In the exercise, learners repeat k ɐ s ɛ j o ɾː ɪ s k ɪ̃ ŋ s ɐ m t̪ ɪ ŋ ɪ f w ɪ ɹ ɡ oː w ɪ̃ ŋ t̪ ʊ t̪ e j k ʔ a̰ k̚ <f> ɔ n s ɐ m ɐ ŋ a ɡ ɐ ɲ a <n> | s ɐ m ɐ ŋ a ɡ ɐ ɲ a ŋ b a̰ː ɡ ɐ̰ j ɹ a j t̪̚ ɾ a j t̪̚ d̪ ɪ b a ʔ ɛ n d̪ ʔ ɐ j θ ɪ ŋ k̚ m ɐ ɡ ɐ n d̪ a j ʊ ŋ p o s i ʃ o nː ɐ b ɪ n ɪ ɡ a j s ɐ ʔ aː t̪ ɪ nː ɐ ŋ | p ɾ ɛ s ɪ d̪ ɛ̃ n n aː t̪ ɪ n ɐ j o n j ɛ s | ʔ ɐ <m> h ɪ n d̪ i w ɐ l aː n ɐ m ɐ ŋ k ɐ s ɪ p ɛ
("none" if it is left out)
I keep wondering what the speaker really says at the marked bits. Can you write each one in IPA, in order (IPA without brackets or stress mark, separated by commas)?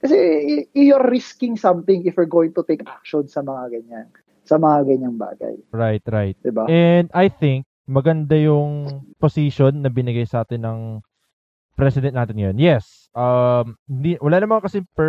ʃ, ŋ, m